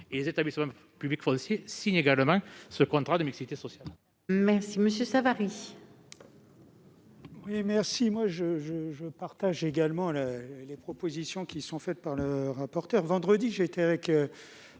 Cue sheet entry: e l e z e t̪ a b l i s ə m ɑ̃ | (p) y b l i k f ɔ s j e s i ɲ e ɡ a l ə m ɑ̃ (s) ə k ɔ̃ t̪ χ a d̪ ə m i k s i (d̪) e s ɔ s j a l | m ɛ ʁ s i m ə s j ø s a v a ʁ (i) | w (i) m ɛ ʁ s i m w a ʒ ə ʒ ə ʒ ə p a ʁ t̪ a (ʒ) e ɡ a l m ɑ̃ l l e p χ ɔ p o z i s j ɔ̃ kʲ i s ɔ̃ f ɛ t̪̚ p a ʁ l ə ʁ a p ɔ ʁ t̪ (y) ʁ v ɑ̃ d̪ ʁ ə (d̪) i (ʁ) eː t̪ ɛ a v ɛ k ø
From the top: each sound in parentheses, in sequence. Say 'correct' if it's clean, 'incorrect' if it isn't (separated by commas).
correct, correct, incorrect, correct, correct, correct, incorrect, correct, incorrect